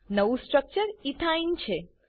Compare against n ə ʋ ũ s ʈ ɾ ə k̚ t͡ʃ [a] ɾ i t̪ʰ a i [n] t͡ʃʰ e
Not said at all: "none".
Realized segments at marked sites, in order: ə, n

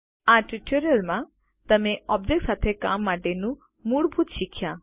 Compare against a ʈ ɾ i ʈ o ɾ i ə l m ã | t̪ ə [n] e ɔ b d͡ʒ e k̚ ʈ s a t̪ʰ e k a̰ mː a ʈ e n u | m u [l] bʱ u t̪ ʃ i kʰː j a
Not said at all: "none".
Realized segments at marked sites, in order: m, ɽ

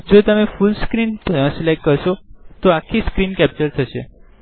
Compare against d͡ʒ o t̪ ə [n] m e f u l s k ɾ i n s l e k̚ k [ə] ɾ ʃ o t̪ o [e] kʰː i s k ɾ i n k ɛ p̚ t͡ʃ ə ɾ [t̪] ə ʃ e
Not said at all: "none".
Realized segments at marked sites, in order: none, ə, a, t̪ʰ

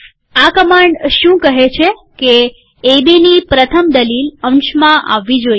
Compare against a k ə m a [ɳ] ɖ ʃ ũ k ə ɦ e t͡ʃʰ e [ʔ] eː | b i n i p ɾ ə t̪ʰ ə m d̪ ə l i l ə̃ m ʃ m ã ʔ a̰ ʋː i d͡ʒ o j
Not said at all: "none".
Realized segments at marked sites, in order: ɳ, k

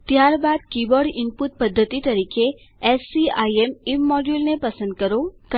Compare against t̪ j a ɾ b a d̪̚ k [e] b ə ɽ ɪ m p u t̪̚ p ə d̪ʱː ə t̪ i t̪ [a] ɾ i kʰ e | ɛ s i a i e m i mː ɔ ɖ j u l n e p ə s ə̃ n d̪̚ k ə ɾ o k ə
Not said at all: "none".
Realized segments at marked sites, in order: i, ə

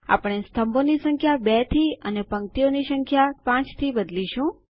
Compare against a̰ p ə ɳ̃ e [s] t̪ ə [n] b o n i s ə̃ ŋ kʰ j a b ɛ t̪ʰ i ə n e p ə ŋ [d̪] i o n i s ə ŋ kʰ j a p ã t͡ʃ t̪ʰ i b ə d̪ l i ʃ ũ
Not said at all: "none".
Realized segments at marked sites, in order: s, m, t̪

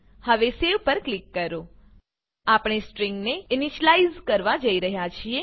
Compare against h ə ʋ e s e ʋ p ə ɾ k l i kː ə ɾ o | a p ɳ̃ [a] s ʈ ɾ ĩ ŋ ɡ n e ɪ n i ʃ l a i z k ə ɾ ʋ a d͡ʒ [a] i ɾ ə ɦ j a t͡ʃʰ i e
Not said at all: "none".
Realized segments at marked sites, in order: e, ə

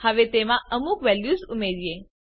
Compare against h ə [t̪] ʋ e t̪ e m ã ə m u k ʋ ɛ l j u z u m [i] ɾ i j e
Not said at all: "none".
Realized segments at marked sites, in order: none, e

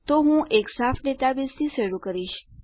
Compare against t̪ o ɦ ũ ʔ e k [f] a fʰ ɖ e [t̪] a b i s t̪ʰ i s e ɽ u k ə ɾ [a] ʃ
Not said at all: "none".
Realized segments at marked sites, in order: s, t̪, i

